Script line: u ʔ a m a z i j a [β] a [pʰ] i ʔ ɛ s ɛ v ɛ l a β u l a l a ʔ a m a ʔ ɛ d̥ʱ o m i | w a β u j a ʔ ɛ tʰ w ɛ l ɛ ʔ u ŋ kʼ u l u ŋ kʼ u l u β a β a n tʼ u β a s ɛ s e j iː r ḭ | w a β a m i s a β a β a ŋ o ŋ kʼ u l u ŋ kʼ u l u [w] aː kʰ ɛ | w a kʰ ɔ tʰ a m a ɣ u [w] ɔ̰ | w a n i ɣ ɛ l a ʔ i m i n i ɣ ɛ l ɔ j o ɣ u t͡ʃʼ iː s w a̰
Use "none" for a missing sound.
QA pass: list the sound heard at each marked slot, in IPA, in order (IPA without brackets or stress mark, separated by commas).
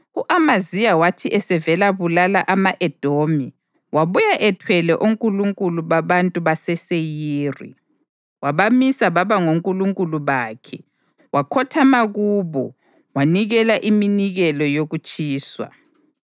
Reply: w, tʰ, β, β